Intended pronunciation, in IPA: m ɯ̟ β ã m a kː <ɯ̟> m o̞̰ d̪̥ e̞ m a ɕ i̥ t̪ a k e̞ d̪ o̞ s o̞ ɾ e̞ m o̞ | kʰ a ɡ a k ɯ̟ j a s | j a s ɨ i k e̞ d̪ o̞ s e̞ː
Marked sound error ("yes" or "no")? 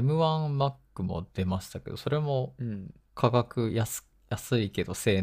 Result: no